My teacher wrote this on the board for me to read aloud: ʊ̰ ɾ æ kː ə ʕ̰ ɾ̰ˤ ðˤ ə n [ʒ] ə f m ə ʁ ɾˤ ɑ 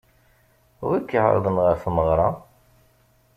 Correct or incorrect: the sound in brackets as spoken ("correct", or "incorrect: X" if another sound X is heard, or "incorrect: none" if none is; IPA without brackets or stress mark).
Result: incorrect: ʁ